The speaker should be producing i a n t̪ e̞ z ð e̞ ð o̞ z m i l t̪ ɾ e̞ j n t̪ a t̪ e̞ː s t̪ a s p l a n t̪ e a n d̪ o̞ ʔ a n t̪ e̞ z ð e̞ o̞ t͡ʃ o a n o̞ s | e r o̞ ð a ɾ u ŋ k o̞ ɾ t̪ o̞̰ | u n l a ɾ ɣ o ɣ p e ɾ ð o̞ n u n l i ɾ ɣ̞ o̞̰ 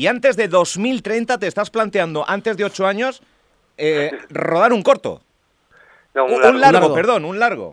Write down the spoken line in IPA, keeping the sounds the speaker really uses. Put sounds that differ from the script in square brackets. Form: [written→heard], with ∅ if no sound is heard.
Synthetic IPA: i a n t̪ e̞ z ð e̞ ð o̞ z m i l t̪ ɾ e̞ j n t̪ a t̪ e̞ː s t̪ a s p l a n t̪ e a n d̪ o̞ ʔ a n t̪ e̞ z ð e̞ o̞ t͡ʃ o a [n→ɲ] o̞ s | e r o̞ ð a ɾ u ŋ k o̞ ɾ t̪ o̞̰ | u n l a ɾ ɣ o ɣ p e ɾ ð o̞ n u n l [i→a] ɾ ɣ̞ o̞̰